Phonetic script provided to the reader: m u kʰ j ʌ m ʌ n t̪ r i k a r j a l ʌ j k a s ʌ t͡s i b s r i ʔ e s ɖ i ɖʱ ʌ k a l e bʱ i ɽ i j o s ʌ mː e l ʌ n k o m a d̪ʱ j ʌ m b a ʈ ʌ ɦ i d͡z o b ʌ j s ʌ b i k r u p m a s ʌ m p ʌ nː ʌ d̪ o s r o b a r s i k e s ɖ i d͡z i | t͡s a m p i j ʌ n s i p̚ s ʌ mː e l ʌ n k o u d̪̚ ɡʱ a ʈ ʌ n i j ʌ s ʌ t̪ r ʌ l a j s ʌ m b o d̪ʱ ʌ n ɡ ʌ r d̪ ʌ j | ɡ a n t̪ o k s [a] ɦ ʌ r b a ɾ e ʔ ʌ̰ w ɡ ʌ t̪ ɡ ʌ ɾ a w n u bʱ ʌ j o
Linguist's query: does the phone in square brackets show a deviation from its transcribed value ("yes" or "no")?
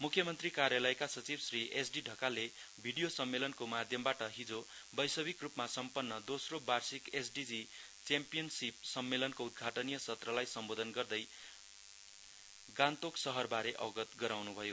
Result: yes